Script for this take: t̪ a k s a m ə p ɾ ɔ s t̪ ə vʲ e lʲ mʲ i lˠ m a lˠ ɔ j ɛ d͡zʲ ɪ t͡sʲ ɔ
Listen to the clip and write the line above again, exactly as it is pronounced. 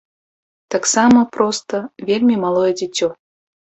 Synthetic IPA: t̪ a k s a m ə p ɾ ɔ s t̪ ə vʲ e lʲ mʲ i m a lˠ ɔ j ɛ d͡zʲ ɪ t͡sʲ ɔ